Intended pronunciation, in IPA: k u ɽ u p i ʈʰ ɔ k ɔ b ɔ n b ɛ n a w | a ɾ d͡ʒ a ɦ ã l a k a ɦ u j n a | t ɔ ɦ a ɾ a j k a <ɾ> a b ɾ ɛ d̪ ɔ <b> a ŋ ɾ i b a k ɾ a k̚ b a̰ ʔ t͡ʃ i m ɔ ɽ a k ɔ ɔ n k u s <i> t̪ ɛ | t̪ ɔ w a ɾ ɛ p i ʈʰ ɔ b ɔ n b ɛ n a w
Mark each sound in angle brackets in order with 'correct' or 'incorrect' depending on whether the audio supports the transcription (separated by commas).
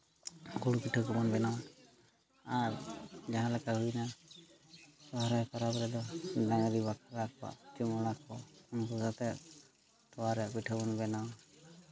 correct, incorrect, incorrect